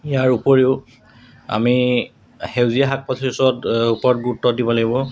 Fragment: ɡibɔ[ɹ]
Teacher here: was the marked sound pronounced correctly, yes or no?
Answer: no